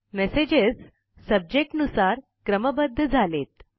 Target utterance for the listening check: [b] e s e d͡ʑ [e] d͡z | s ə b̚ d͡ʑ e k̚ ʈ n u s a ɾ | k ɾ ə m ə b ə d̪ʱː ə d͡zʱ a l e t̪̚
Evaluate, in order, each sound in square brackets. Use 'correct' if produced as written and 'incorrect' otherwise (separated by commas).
incorrect, correct